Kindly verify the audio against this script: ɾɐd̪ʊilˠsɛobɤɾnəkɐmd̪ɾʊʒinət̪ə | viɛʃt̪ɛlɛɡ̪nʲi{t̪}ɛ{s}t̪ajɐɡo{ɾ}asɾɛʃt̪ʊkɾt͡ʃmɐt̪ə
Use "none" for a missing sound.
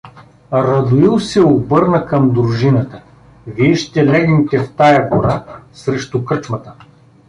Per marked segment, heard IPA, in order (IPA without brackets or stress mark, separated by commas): t̪, f, ɾ